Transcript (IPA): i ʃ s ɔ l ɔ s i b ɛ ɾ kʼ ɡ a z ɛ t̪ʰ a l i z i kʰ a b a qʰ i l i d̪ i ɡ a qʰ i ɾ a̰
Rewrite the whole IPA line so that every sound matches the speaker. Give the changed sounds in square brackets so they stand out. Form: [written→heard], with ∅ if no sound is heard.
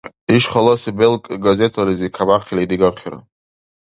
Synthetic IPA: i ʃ [s→χ] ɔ l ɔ s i b ɛ [ɾ→l] kʼ ɡ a z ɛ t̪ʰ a l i z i kʰ a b a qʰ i l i d̪ i ɡ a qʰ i ɾ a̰